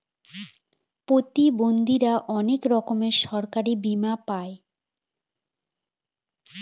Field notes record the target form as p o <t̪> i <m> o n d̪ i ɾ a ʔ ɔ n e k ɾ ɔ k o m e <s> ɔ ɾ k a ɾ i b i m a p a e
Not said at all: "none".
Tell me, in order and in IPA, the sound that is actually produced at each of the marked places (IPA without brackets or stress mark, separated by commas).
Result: t̪, b, ʃ